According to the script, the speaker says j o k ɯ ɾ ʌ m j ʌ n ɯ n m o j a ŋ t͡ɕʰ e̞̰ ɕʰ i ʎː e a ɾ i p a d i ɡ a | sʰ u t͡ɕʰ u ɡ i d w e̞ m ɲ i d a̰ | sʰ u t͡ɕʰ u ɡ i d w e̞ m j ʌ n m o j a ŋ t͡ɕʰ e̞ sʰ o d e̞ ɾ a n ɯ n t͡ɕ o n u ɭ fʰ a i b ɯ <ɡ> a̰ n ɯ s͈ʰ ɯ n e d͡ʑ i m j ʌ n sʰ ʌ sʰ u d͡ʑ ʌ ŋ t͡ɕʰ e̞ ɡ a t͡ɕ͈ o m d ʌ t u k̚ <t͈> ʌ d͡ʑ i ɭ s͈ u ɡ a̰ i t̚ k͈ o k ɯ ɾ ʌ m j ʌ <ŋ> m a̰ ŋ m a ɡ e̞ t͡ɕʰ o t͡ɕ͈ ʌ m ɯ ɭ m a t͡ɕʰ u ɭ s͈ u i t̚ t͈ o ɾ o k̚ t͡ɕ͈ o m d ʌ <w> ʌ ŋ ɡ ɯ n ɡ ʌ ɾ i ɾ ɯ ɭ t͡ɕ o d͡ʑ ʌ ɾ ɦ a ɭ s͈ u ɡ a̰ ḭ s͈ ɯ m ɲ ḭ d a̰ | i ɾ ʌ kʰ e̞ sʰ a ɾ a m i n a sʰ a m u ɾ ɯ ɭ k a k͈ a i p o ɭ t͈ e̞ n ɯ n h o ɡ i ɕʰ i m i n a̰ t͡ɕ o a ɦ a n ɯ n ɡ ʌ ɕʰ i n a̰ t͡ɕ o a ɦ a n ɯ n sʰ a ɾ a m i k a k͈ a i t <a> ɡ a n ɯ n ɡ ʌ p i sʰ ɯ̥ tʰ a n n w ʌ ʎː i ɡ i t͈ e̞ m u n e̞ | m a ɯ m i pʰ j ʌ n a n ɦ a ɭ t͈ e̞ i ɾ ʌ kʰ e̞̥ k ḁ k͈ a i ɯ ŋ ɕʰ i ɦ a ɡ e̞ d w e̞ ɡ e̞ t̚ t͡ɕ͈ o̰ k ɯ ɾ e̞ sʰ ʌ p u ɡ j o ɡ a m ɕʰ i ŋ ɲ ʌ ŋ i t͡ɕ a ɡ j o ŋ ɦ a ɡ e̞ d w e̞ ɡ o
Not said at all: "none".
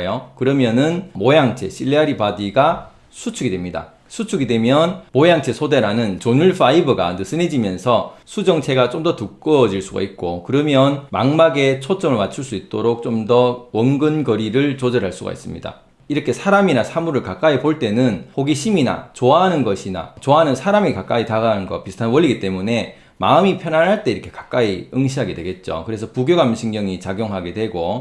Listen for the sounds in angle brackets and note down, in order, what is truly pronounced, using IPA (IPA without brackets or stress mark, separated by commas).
ɡ, k͈, n, w, a